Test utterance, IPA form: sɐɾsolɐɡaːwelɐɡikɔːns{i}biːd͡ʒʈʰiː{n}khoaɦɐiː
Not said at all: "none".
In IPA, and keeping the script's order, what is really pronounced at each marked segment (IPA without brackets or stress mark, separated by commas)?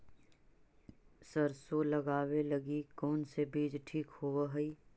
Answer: e, none